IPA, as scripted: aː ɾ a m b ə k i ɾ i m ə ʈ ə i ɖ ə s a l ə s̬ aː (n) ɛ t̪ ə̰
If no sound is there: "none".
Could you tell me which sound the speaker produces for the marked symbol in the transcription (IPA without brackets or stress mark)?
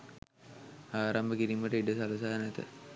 n